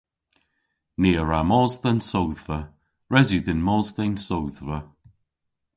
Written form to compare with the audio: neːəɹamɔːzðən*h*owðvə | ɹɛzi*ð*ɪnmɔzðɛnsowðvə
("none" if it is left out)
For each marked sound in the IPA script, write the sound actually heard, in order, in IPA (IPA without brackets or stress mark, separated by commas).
s, ð